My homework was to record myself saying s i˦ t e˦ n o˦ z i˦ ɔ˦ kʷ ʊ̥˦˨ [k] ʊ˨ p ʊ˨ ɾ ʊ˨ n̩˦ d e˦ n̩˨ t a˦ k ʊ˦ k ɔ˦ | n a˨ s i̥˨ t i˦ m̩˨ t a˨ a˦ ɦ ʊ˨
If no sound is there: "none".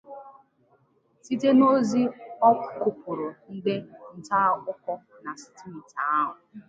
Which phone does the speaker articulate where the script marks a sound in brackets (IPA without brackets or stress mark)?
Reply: k